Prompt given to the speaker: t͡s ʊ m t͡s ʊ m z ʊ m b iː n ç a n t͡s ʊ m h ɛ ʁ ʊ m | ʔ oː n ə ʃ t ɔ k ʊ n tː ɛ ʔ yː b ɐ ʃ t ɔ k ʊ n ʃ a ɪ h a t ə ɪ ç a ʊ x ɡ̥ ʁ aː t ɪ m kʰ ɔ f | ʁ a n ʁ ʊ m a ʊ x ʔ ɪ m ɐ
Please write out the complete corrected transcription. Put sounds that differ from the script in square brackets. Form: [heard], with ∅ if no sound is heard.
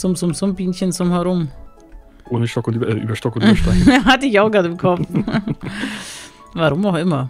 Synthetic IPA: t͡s ʊ m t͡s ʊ m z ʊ m b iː n ç [ə] n t͡s ʊ m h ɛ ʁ ʊ m | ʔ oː n ə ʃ t ɔ k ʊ n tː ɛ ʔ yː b ɐ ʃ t ɔ k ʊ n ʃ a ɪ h a t ə ɪ ç a ʊ x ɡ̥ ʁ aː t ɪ m kʰ ɔ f | [v] a [∅] ʁ ʊ m a ʊ x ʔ ɪ m ɐ